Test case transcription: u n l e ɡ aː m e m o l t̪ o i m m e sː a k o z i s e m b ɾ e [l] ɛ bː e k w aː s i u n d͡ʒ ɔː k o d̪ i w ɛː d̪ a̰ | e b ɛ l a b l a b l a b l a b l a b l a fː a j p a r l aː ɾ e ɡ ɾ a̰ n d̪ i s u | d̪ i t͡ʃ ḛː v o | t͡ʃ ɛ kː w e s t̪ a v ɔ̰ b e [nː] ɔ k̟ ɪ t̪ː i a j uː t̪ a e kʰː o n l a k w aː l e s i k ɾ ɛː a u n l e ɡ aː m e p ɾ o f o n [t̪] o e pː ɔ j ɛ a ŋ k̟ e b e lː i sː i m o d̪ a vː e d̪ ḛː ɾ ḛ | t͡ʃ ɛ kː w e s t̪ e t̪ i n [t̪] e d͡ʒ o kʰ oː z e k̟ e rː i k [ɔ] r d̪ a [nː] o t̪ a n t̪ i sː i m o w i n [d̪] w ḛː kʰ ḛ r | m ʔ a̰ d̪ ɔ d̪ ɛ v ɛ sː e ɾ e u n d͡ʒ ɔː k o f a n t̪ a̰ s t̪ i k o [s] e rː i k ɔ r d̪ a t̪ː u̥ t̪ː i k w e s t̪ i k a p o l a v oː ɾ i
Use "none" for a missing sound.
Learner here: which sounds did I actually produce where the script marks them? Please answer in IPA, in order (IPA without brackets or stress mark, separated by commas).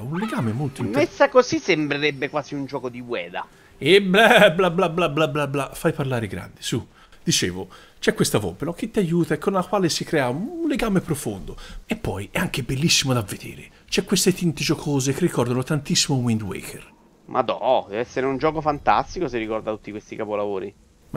ɾ, n, d̪, t̪, ɔ, n, d̪, s